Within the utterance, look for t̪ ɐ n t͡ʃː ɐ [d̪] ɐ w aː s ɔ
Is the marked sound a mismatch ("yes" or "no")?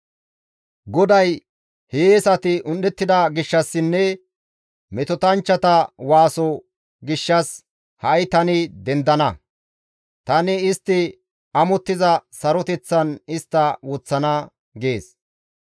yes